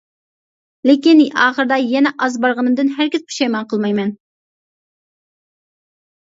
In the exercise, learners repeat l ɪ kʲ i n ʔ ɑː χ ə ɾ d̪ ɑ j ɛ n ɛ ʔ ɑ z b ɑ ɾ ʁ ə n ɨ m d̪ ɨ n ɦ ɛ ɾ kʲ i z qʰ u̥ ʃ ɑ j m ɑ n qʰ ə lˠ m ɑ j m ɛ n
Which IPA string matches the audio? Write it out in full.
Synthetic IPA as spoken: l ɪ kʲ i n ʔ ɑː χ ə ɾ d̪ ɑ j ɛ n ɛ ʔ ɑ z b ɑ ɾ ʁ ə n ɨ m d̪ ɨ n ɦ æ ɾ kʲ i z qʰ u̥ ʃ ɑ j m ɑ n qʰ ə lˠ m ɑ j m ɛ n